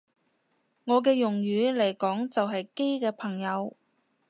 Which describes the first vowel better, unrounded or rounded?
rounded